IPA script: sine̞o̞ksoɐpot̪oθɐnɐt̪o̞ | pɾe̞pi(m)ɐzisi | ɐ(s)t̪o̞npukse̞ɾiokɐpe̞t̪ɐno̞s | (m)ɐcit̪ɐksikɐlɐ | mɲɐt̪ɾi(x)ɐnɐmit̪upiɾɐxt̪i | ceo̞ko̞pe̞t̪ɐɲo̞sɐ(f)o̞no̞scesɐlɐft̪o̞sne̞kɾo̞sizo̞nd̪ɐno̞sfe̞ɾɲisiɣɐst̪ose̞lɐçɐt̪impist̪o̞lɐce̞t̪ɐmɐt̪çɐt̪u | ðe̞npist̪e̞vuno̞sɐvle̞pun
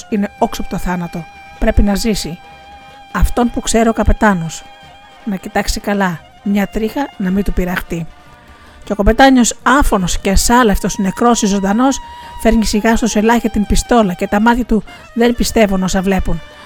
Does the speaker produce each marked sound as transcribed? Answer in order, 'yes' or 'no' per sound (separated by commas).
no, no, no, yes, yes